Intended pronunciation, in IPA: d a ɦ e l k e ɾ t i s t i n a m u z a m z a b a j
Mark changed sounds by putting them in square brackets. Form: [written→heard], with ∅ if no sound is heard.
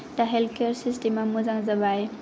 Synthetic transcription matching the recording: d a ɦ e l k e ɾ [t→s] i s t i [n→m] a m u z a [m→ŋ] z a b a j